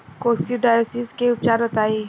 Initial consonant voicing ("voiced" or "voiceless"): voiceless